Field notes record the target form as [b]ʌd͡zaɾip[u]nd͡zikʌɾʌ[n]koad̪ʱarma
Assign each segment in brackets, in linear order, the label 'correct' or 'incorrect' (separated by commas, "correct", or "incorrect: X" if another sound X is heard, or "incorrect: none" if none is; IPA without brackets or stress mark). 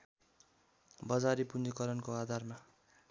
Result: correct, correct, correct